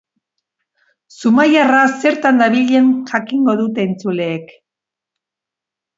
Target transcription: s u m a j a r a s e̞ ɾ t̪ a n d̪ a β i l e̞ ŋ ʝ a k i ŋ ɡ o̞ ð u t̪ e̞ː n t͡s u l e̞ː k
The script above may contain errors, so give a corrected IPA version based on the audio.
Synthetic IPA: s u m a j a r a s e̞ ɾ t̪ a n d̪ a β i ʎ e̞ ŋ ʝ a k i ŋ ɡ o̞ ð u t̪ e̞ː n t͡s u l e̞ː k